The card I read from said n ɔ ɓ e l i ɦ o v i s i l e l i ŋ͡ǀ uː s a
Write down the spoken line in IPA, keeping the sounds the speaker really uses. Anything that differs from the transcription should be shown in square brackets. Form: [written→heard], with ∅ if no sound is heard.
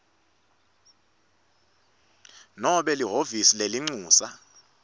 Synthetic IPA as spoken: n ɔ ɓ [e→ɛ] l i ɦ o v i s i l e l i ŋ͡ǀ uː s a